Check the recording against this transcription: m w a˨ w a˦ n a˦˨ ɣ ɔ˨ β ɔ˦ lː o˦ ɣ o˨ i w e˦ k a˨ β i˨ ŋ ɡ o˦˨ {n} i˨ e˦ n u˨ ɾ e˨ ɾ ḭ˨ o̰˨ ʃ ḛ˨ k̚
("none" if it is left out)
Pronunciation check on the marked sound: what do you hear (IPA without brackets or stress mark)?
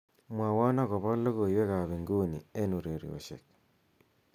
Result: n